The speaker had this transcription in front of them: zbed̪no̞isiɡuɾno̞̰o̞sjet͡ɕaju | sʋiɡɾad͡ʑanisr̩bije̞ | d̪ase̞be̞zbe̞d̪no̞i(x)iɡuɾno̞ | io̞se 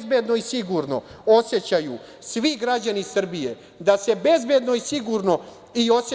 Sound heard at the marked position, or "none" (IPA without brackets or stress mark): s